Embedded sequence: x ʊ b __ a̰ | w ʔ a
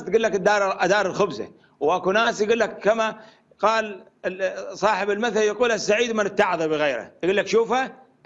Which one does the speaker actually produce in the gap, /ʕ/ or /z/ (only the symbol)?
z